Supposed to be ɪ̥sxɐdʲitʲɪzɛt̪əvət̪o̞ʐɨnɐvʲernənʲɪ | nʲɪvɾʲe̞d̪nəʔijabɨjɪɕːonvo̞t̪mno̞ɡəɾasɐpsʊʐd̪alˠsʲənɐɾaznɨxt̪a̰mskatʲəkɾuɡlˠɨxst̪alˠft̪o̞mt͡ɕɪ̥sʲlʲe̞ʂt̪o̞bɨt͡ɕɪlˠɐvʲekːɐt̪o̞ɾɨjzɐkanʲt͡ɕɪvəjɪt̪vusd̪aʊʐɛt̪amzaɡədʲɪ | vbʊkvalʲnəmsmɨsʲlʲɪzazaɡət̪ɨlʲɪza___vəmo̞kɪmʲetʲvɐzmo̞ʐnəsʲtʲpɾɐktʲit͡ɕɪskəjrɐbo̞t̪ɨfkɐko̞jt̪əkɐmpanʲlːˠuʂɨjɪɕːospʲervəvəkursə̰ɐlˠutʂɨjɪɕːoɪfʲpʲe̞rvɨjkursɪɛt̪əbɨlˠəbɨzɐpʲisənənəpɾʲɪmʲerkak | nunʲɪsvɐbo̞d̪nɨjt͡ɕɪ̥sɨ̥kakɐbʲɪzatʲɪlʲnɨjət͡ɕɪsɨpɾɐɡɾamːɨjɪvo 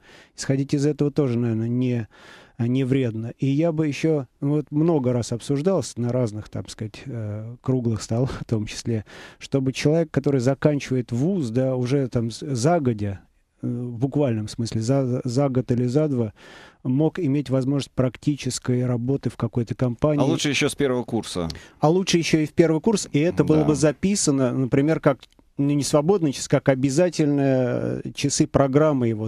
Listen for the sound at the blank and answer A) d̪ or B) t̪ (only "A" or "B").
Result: A